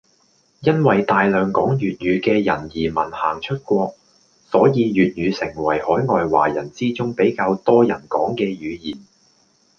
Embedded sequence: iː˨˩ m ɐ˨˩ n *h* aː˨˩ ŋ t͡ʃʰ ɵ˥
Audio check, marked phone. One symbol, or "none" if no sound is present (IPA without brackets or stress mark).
h